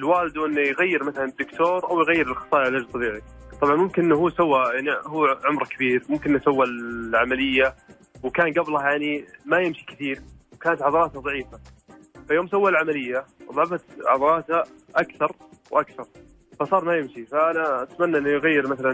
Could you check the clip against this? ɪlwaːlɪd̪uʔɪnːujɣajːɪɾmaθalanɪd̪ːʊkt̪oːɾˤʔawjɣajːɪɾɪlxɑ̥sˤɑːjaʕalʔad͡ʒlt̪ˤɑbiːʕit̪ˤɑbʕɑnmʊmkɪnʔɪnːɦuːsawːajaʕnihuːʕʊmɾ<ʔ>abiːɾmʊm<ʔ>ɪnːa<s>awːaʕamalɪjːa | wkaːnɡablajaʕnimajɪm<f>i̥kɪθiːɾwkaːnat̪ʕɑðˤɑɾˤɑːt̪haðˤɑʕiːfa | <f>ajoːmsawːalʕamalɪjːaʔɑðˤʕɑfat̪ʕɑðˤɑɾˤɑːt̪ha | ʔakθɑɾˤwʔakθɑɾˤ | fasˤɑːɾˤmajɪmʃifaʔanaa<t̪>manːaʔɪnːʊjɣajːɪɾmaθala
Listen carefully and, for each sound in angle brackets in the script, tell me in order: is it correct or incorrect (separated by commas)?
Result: incorrect, incorrect, correct, incorrect, correct, correct